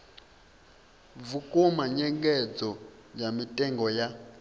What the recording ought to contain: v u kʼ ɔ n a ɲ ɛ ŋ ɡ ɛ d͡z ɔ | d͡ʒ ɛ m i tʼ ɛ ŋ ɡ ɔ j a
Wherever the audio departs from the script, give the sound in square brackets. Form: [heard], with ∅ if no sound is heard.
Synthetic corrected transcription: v u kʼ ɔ [m] a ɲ ɛ ŋ ɡ ɛ d͡z ɔ | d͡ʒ [a] m i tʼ ɛ ŋ ɡ ɔ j a